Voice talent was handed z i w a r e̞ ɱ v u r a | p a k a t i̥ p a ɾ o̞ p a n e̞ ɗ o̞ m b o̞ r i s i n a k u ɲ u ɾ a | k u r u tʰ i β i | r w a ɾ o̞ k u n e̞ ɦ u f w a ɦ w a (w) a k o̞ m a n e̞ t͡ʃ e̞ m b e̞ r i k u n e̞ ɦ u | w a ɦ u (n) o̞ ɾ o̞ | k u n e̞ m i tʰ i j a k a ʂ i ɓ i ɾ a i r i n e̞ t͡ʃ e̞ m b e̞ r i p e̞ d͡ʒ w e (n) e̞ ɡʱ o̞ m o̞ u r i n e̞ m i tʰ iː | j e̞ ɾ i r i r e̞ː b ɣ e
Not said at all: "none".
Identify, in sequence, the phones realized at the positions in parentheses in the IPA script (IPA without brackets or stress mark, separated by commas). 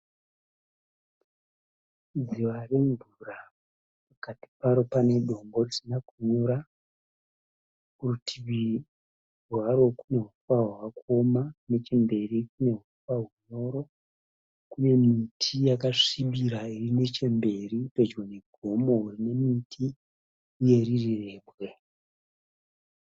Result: w, ɲ, n